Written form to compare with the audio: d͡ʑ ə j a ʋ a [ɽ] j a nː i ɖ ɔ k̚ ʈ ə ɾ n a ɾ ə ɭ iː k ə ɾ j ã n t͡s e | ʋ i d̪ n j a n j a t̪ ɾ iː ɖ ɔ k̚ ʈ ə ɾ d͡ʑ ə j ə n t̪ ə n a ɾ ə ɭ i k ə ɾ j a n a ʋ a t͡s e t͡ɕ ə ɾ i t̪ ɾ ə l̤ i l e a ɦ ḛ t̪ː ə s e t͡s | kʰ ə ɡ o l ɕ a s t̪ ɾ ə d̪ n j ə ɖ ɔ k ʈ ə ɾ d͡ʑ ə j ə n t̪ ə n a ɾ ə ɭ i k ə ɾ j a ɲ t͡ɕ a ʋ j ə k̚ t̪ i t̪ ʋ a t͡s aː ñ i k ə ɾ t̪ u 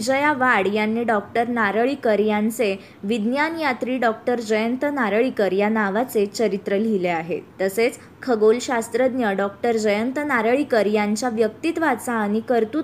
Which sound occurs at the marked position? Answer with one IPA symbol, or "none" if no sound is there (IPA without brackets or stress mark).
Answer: ɽ